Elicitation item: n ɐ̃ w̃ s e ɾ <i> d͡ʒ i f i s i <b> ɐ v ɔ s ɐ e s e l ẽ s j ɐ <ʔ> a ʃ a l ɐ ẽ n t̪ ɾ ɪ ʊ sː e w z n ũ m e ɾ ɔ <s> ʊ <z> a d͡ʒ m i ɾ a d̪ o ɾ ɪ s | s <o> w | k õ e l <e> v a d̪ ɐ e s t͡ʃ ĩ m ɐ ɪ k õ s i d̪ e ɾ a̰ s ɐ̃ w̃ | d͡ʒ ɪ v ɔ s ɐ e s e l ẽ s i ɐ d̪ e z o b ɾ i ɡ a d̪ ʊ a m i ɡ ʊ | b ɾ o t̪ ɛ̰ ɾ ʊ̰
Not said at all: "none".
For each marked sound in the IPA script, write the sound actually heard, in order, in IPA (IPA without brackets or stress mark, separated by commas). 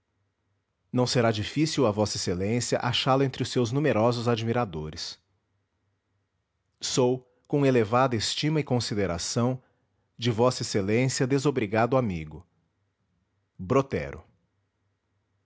a, w, ʔ, z, z, o, e